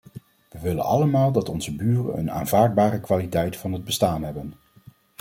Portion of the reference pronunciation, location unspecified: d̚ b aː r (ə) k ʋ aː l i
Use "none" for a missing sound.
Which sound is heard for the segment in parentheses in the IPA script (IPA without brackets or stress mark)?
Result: ə